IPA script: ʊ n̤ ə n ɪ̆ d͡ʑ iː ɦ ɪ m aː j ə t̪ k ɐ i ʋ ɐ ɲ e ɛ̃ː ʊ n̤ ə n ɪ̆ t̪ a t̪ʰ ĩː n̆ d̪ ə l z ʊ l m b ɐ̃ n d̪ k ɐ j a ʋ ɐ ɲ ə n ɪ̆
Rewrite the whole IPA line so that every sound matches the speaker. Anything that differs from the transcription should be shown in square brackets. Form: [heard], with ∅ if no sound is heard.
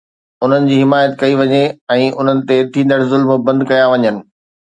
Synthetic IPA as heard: ʊ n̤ ə n ɪ̆ d͡ʑ iː ɦ ɪ m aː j ə t̪ k ɐ i ʋ ɐ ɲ e ɛ̃ː ʊ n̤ ə n ɪ̆ t̪ [e] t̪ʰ ĩː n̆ d̪ ə [ɽ] z ʊ l m b ɐ̃ n d̪ k ɐ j a ʋ ɐ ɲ ə n ɪ̆